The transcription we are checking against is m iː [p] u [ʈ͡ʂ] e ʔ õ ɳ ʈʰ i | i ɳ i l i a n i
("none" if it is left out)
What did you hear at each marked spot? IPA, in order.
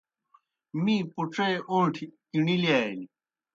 p, ʈ͡ʂ

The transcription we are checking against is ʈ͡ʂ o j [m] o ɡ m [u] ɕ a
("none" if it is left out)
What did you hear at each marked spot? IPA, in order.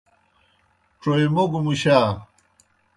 m, u

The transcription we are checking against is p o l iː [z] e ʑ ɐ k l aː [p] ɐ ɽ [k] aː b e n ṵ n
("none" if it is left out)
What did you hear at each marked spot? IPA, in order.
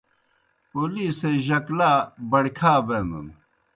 s, b, kʰ

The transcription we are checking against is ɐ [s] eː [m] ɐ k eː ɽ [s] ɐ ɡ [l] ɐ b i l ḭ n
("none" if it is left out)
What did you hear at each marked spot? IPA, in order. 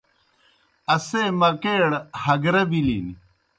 s, m, h, ɾ

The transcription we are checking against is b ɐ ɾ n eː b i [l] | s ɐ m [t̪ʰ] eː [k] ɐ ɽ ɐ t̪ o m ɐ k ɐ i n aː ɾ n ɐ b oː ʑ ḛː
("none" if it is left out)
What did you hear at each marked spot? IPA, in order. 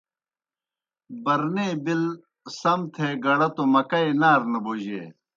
l, t̪ʰ, ɡ

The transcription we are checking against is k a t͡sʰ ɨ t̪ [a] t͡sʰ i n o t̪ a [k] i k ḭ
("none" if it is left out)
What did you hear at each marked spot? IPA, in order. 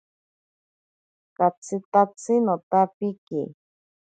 a, p

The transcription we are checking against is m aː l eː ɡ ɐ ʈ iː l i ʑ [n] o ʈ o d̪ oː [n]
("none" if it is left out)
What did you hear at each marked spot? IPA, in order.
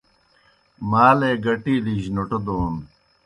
n, n

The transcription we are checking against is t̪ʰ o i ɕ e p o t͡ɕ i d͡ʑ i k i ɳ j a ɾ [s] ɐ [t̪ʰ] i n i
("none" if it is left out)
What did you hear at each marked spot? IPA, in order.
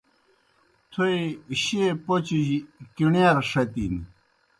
ʂ, t̪

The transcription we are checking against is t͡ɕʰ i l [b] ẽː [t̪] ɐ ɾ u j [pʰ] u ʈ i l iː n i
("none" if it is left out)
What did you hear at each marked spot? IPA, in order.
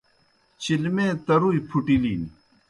m, t̪, pʰ

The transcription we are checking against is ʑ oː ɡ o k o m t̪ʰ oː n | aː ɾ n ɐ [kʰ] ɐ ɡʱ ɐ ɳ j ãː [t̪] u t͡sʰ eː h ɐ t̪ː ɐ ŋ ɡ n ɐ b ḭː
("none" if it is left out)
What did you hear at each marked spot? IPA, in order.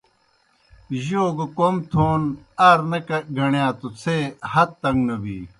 k, t̪

